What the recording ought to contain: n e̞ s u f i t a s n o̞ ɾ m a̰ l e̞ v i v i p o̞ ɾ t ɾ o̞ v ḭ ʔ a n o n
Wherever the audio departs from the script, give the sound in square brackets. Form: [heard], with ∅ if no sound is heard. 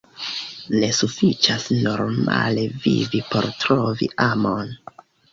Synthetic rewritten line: n e̞ s u f i [t͡ʃ] a s n o̞ ɾ m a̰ l e̞ v i v i p o̞ ɾ t ɾ o̞ v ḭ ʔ a [m] o n